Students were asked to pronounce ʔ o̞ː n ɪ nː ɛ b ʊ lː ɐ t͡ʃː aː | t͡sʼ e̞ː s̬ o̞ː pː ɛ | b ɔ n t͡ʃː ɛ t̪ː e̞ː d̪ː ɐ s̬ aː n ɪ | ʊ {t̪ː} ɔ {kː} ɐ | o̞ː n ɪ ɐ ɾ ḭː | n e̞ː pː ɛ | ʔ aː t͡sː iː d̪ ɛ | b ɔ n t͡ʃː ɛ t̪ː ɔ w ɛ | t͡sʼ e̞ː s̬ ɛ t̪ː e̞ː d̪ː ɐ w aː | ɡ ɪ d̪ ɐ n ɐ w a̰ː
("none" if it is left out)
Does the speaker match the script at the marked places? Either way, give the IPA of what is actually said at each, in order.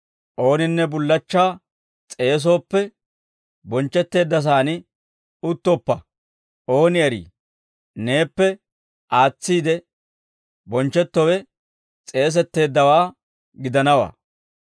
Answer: t̪ː, pː

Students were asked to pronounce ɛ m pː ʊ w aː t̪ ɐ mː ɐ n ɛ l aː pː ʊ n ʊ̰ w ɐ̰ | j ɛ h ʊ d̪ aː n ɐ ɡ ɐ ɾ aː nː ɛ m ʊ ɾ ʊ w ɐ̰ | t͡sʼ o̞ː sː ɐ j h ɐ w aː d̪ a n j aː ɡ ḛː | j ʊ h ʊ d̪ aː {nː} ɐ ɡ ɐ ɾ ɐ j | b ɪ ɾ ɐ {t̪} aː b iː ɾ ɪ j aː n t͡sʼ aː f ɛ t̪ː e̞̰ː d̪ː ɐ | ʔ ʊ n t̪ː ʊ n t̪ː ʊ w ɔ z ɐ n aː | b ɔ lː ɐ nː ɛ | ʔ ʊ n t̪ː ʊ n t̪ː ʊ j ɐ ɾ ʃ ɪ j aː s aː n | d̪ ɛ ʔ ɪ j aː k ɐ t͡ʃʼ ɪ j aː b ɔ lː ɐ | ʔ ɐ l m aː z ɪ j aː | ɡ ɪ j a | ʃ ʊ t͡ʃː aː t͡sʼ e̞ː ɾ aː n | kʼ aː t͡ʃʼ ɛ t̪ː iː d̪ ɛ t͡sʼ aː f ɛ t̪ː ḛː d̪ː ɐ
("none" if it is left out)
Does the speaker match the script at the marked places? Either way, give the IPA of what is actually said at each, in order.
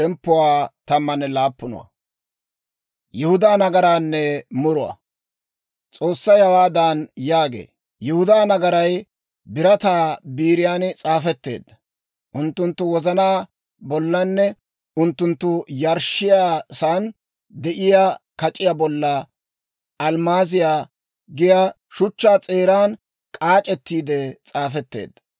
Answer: n, t̪

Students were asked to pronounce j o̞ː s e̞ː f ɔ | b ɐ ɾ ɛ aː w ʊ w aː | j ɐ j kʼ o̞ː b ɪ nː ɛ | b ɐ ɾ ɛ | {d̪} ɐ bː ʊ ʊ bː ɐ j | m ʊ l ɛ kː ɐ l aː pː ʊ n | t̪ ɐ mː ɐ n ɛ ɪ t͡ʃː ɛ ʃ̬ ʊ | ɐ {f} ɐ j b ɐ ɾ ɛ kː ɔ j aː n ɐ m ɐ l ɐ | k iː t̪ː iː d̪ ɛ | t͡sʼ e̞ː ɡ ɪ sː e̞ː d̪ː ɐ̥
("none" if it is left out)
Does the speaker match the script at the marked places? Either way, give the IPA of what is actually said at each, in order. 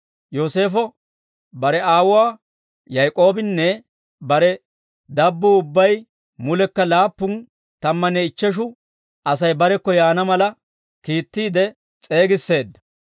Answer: d̪, s

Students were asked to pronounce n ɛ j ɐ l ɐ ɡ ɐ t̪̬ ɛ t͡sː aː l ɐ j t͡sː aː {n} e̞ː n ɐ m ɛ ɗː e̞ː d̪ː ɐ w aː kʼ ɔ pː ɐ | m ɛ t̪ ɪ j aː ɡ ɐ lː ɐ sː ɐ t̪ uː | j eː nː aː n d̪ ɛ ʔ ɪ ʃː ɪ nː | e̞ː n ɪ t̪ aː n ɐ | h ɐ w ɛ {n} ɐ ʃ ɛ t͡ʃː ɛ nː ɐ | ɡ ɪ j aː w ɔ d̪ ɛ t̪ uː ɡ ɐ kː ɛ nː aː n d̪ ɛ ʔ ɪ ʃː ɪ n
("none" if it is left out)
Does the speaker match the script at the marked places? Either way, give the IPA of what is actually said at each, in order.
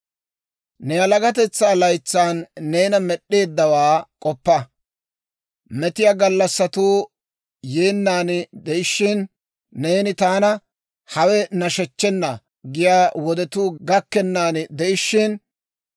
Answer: nː, n

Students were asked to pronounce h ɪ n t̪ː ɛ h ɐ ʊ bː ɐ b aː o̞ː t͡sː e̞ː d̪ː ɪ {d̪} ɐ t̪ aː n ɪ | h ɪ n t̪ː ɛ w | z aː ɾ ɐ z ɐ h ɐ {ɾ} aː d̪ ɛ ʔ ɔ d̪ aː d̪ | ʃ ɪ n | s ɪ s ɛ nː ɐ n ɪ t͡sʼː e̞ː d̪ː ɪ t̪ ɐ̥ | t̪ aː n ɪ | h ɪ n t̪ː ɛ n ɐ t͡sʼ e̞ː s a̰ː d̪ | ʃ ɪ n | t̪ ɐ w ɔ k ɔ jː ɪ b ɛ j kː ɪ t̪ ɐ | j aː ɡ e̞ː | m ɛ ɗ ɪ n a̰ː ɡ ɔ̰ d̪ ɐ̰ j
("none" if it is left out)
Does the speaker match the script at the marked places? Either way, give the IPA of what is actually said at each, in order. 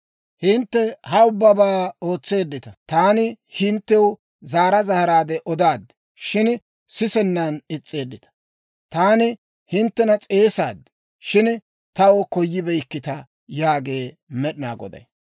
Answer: t̪, ɾ

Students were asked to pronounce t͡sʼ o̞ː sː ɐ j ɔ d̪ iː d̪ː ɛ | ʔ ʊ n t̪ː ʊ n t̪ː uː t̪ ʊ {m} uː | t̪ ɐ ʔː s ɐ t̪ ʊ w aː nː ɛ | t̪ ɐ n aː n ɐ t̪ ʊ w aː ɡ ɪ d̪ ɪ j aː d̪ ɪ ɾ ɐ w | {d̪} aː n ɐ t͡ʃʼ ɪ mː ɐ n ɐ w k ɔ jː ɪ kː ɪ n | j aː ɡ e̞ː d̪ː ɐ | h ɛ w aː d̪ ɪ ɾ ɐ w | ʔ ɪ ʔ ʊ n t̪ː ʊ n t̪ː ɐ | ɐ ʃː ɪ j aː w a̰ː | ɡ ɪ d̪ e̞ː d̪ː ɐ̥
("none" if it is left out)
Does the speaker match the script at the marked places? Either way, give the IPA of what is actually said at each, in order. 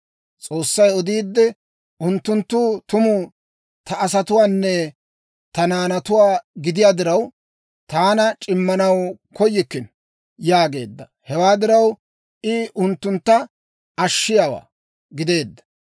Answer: m, t̪

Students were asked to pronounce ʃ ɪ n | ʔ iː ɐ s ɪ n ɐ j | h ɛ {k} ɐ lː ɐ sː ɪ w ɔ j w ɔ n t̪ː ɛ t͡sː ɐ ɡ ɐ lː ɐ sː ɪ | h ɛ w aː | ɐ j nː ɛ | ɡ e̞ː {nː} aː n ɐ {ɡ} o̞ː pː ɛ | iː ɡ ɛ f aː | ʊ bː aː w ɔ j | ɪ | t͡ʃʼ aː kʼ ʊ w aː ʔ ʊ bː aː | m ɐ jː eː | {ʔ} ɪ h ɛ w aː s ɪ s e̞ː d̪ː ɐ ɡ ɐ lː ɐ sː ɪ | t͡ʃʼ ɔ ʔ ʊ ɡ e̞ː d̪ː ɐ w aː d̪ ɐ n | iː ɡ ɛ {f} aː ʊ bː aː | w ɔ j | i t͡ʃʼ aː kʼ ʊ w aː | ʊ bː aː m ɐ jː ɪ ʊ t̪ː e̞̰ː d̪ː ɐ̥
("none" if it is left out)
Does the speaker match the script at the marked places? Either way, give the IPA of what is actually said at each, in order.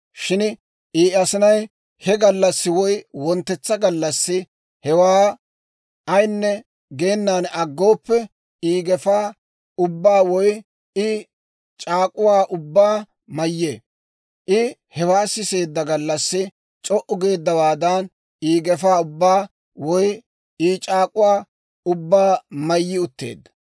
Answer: ɡ, nː, ɡː, ʔ, f

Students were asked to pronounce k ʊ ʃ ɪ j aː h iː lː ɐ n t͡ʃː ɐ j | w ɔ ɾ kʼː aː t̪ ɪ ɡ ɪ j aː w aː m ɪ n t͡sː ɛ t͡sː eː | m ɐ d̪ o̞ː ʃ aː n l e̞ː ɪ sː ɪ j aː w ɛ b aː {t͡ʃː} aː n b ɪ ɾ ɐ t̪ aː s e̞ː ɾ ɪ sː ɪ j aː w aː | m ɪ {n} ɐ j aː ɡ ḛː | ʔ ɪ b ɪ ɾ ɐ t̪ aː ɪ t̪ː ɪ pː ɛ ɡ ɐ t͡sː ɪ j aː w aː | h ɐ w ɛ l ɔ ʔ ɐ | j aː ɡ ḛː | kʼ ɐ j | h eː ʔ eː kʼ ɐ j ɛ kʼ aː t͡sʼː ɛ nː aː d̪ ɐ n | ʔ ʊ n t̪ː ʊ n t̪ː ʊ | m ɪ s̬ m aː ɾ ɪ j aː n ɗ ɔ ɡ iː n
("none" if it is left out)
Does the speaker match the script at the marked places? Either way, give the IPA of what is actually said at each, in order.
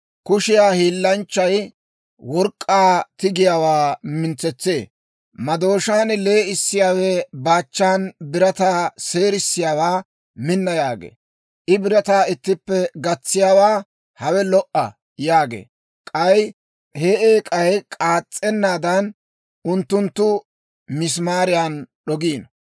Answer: t͡ʃː, nː

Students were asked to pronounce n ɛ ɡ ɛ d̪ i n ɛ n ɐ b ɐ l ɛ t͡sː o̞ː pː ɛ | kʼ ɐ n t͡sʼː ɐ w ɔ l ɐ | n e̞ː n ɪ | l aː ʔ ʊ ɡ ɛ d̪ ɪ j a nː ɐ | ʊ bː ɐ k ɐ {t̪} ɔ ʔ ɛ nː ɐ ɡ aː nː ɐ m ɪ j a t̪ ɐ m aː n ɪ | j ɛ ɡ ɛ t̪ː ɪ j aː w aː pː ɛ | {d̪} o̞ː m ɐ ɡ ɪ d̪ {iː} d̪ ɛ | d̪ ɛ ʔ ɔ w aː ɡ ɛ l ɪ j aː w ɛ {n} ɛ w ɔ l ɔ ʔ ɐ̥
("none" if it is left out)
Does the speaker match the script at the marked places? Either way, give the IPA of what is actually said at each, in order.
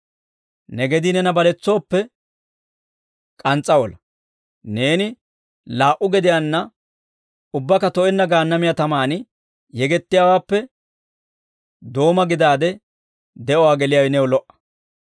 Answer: t̪, d̪, aː, n

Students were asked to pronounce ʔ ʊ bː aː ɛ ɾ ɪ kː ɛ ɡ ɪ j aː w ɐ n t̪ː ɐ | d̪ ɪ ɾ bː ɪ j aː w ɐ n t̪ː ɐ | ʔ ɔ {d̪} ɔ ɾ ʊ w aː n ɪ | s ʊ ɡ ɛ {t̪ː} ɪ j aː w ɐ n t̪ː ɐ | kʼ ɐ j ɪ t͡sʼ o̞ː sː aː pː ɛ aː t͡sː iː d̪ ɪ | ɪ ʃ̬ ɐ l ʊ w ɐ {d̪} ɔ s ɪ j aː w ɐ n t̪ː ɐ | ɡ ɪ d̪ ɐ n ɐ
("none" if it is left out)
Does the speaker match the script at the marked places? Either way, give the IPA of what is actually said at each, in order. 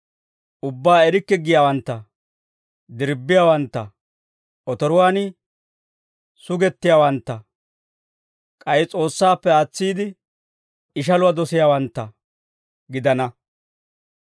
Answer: t̪, t̪ː, d̪

